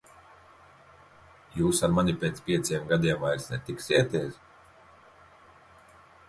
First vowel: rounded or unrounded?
rounded